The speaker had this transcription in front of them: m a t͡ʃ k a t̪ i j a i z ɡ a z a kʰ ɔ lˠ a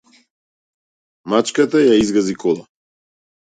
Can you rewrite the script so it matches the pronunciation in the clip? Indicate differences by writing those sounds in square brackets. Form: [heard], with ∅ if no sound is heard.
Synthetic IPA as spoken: m a t͡ʃ k a t̪ [a] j a i z ɡ a z [i] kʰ ɔ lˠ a